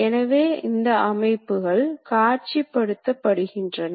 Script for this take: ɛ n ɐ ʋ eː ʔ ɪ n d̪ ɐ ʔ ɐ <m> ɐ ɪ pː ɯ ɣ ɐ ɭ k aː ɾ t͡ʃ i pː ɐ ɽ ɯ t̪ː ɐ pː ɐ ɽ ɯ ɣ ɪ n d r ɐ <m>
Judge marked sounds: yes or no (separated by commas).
yes, no